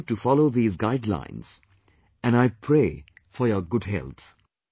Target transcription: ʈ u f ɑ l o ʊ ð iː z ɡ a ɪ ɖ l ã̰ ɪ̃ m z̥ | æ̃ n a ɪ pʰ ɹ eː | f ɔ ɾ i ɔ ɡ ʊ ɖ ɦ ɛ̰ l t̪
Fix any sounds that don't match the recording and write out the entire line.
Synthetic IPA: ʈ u f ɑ l o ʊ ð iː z ɡ a ɪ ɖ l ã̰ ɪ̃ n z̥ | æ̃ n a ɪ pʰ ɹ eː | f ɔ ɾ j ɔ ɡ ʊ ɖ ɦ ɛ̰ l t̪